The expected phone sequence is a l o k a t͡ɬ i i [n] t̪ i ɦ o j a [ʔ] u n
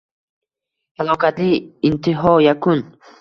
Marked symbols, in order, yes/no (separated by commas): yes, no